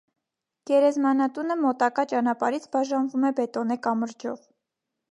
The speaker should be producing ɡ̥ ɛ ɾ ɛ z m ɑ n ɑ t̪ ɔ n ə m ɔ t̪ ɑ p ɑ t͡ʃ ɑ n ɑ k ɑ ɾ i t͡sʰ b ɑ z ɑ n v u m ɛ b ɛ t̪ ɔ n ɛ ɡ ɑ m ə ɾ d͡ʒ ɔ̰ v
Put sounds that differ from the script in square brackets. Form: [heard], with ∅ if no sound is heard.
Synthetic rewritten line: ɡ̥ ɛ ɾ ɛ z m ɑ n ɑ t̪ [u] n ə m ɔ t̪ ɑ [k] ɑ t͡ʃ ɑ n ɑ [p] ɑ ɾ i t͡sʰ b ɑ [ʒ] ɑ n v u m ɛ b ɛ t̪ ɔ n ɛ [k] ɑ m ə ɾ d͡ʒ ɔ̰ v